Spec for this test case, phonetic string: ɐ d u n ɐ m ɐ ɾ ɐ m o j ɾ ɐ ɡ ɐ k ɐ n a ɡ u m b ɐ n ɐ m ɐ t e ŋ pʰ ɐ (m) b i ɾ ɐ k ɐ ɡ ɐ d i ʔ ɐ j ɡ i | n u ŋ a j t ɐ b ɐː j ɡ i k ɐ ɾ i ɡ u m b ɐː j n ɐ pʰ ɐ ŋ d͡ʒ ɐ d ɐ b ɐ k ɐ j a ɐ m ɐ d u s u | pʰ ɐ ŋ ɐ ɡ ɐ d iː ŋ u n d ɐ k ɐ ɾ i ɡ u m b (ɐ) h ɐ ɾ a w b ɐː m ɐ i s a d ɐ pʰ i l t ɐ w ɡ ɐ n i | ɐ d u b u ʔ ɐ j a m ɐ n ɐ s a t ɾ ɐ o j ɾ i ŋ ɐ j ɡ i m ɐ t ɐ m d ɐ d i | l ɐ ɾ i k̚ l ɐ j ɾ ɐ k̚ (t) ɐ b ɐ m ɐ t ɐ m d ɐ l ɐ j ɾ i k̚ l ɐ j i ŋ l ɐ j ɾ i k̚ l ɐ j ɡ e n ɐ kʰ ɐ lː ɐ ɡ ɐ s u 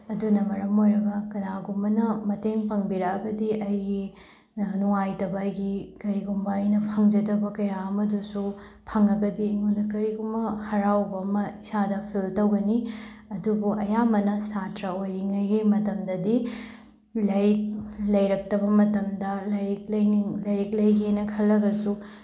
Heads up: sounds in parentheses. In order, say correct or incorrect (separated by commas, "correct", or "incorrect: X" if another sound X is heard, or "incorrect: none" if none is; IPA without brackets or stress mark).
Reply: incorrect: ŋ, correct, correct